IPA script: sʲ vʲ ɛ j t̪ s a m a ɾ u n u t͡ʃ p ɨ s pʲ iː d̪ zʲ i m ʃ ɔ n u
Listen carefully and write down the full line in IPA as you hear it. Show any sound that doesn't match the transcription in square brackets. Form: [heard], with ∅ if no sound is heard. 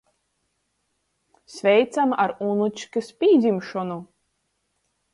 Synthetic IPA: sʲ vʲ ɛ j t̪ s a m a ɾ u n u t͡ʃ [k] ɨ s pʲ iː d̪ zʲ i m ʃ ɔ n u